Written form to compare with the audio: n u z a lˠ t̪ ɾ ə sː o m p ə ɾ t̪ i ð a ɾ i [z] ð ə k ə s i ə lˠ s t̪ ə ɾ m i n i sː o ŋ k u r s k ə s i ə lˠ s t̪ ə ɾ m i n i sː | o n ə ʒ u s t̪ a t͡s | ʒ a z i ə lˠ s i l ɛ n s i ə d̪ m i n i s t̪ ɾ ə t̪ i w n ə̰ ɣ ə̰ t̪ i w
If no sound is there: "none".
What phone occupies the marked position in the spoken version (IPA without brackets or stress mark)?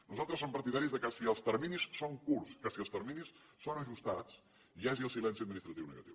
z